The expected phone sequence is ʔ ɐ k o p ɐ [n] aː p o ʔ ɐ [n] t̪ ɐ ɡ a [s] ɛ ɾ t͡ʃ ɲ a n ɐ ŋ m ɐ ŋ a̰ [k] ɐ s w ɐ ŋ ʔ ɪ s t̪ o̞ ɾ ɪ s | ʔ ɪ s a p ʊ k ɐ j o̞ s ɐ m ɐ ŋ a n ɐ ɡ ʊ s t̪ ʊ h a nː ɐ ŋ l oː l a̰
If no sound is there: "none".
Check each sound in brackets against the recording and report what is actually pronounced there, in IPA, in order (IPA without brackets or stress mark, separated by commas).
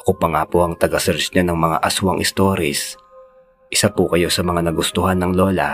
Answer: ŋ, ŋ, s, ʔ